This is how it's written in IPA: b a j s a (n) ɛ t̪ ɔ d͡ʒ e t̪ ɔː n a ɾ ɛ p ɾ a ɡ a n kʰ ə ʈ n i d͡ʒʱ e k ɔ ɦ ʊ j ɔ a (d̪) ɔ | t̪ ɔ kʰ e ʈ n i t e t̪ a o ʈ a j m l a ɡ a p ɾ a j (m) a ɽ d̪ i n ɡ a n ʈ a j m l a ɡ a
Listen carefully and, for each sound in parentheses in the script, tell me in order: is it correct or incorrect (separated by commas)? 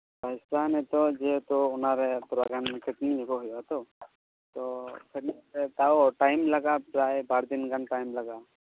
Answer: correct, incorrect, incorrect